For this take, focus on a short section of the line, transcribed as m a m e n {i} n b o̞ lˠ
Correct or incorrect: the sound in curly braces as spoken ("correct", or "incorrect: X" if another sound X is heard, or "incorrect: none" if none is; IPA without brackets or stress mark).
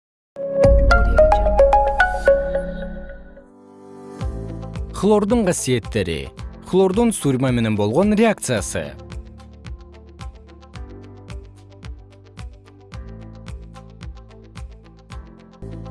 incorrect: e